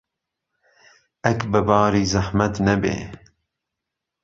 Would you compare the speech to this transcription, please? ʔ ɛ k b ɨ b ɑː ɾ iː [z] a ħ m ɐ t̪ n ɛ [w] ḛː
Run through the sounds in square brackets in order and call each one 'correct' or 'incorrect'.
correct, incorrect: b

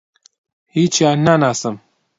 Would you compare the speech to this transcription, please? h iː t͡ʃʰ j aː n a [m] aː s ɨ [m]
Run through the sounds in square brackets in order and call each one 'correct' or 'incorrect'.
incorrect: n, correct

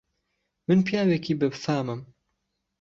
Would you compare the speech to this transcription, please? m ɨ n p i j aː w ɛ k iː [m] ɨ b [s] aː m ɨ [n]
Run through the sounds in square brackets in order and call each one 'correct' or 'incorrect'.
incorrect: b, incorrect: f, incorrect: m

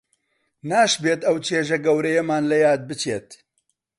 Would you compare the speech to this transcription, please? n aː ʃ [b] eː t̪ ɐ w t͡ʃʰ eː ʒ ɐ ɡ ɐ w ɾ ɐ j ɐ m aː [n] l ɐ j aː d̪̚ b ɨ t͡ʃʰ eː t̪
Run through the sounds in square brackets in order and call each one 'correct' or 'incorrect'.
correct, correct

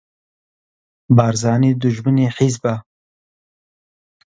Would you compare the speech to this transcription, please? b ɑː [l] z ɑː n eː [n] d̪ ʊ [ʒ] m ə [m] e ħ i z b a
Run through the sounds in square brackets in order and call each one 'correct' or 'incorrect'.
incorrect: ɾ, incorrect: none, correct, incorrect: n

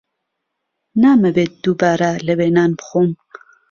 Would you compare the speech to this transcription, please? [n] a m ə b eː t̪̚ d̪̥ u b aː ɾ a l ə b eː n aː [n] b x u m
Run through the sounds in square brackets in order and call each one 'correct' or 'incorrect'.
correct, correct

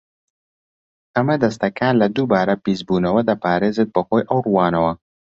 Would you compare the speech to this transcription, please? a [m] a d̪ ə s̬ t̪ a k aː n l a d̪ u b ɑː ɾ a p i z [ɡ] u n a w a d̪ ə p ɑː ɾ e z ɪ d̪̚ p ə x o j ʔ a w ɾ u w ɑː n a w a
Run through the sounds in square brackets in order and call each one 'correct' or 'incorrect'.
correct, incorrect: b

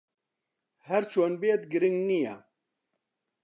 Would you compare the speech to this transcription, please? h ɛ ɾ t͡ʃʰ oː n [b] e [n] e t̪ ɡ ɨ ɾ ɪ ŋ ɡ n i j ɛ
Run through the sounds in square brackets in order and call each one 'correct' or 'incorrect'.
correct, incorrect: none

